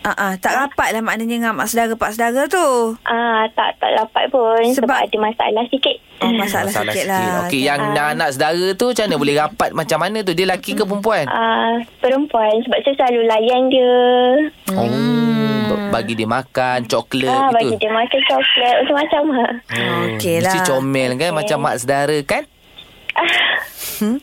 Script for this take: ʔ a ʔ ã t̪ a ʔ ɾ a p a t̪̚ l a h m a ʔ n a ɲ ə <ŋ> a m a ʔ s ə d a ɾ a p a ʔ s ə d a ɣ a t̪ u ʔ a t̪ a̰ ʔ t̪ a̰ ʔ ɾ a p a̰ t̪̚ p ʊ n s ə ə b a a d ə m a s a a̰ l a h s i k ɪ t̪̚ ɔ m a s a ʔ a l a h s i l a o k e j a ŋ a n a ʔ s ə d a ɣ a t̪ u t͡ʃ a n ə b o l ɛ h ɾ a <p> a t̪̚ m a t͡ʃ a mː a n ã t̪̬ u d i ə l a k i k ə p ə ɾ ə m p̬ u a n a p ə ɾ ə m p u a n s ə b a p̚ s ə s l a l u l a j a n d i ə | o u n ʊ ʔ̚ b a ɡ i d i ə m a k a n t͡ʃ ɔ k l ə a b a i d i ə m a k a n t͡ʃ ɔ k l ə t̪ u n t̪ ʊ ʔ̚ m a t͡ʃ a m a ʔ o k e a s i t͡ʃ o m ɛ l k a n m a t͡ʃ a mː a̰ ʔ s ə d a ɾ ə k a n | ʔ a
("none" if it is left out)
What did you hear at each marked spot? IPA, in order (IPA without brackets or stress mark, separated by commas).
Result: ŋ, p